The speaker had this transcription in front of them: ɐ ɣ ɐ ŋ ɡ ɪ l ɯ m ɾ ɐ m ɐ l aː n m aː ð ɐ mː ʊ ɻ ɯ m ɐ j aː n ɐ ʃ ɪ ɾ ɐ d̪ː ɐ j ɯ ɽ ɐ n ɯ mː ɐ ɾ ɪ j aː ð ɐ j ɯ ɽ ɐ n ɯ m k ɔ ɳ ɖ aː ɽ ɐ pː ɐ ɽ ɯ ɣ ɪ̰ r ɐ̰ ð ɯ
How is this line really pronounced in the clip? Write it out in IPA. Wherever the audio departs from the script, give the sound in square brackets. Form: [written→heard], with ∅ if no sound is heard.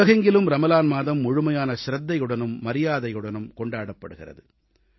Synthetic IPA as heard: ɐ ɣ ɐ ŋ ɡ ɪ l ɯ m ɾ ɐ m ɐ l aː n m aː ð ɐ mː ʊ ɻ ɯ m ɐ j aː n ɐ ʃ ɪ ɾ ɐ d̪ː ɐ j ɯ ɽ ɐ n ɯ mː ɐ ɾ ɪ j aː ð ɐ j ɯ ɽ ɐ n ɯ m k ɔ ɳ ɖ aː ɽ ɐ pː ɐ ɽ ɯ ɣ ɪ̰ r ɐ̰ ð ɯ

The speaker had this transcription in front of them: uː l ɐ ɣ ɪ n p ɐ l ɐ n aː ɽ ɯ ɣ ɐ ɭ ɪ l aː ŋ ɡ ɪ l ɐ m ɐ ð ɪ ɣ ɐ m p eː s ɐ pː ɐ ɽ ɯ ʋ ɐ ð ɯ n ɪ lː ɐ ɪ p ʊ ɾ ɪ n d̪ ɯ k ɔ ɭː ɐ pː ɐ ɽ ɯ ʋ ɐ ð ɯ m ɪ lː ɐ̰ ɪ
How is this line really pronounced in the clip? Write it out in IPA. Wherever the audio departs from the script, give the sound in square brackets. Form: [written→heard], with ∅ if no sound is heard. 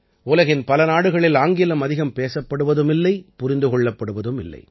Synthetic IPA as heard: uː l ɐ ɣ ɪ n p ɐ l ɐ n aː ɽ ɯ ɣ ɐ ɭ ɪ l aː ŋ ɡ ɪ l ɐ m ɐ ð ɪ ɣ ɐ m p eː s ɐ pː ɐ ɽ ɯ ʋ ɐ ð ɯ [n→m] ɪ lː ɐ ɪ p ʊ ɾ ɪ n d̪ ɯ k ɔ ɭː ɐ pː ɐ ɽ ɯ ʋ ɐ ð ɯ m ɪ lː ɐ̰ ɪ

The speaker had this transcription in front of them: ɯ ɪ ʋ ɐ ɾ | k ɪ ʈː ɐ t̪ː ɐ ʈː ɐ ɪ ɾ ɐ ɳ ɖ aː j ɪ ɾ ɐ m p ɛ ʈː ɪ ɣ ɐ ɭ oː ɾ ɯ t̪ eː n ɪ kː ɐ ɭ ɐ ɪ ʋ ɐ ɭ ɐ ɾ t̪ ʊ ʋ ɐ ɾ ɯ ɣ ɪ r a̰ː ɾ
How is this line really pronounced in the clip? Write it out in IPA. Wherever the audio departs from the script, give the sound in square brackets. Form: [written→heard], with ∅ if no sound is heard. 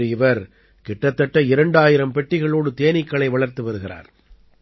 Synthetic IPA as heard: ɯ ɪ ʋ ɐ ɾ | k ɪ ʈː ɐ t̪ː ɐ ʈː ɐ ɪ ɾ ɐ ɳ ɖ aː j ɪ ɾ ɐ m p ɛ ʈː ɪ ɣ ɐ ɭ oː [ɾ→ɽ] ɯ t̪ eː n ɪ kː ɐ ɭ ɐ ɪ ʋ ɐ ɭ ɐ ɾ t̪ [ʊ→ɯ] ʋ ɐ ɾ ɯ ɣ ɪ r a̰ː ɾ

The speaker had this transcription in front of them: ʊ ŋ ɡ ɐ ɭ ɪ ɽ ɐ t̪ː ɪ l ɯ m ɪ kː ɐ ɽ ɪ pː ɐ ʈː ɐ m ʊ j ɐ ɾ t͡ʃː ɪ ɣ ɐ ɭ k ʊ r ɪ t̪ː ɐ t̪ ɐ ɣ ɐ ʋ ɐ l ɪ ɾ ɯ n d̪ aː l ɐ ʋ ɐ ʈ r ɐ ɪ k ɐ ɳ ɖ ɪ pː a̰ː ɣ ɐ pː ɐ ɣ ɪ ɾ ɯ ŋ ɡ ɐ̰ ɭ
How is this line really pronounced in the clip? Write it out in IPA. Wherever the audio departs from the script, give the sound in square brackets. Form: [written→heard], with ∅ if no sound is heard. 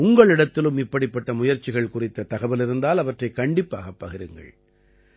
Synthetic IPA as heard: ʊ ŋ ɡ ɐ ɭ ɪ ɽ ɐ t̪ː ɪ l ɯ m ɪ [kː→pː] ɐ ɽ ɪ pː ɐ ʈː ɐ m ʊ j ɐ ɾ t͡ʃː ɪ ɣ ɐ ɭ k ʊ r ɪ t̪ː ɐ t̪ ɐ ɣ ɐ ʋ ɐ l ɪ ɾ ɯ n d̪ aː l ɐ ʋ ɐ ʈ r ɐ ɪ k ɐ ɳ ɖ ɪ pː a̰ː ɣ ɐ pː ɐ ɣ ɪ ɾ ɯ ŋ ɡ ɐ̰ ɭ

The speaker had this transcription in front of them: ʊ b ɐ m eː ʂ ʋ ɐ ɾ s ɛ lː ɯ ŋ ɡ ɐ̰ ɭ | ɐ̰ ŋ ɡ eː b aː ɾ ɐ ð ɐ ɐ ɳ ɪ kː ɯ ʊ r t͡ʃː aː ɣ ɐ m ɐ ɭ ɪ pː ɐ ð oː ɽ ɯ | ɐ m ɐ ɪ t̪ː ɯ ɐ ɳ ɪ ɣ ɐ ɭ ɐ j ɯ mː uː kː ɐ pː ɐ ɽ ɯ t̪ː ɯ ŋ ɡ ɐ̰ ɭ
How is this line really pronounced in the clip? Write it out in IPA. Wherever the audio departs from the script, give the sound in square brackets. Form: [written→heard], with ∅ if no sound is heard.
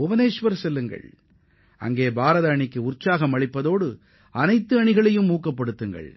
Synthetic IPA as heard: ʊ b ɐ [m→n] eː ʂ ʋ ɐ ɾ s ɛ lː ɯ ŋ ɡ ɐ̰ ɭ | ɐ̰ ŋ ɡ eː b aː ɾ ɐ ð ɐ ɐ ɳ ɪ kː ɯ ʊ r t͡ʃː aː ɣ ɐ m ɐ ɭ ɪ pː ɐ ð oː ɽ ɯ | ɐ [m→n] ɐ ɪ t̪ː ɯ ɐ ɳ ɪ ɣ ɐ ɭ ɐ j ɯ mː uː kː ɐ pː ɐ ɽ ɯ t̪ː ɯ ŋ ɡ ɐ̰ ɭ

